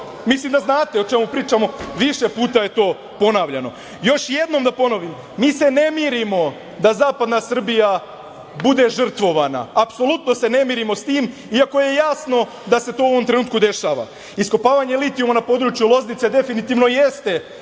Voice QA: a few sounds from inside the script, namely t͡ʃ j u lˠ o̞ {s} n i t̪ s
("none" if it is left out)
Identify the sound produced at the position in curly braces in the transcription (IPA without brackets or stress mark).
z